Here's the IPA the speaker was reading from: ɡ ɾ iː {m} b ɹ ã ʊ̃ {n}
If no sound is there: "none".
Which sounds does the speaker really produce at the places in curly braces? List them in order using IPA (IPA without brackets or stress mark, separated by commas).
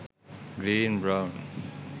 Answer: n, n